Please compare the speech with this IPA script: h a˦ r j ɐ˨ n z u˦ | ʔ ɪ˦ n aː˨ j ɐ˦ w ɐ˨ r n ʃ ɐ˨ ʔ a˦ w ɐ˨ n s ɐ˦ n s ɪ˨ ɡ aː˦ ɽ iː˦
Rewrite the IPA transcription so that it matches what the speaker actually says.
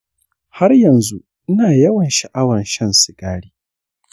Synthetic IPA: h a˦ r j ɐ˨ n z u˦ | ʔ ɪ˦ n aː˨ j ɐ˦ w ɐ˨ n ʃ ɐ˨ ʔ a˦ w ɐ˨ n ʃ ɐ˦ n s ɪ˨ ɡ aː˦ ɽ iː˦